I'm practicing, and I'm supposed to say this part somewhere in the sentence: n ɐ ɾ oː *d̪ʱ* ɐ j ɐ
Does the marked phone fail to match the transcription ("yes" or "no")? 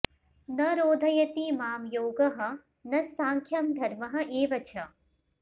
no